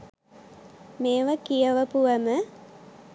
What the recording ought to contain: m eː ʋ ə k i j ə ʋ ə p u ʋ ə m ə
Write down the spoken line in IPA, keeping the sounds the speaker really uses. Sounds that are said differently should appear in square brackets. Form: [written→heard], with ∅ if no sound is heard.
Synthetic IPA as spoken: m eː ʋ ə k i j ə ʋ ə p u ʋ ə m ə